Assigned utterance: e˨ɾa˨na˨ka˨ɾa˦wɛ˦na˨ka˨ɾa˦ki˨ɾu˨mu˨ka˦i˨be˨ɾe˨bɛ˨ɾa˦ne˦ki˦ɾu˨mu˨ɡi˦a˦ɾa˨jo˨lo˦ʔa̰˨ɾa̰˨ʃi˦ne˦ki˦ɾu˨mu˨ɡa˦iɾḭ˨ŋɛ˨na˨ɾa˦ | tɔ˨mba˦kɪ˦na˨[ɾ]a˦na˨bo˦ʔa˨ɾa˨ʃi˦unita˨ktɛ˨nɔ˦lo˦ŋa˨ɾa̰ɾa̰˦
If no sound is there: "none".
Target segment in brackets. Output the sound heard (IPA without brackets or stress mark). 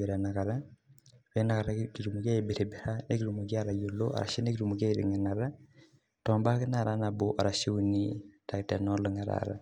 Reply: ɾ